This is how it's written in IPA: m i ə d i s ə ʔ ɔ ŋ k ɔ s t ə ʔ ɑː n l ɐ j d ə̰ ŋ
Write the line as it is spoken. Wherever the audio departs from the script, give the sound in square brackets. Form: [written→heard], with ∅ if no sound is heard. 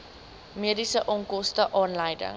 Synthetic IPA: m i ə d i s ə ʔ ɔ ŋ k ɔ s t ə ʔ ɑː n l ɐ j d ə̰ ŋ